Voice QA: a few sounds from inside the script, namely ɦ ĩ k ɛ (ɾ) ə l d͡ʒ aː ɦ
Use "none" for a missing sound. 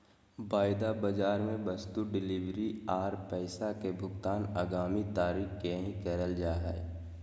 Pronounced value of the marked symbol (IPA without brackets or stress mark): ɾ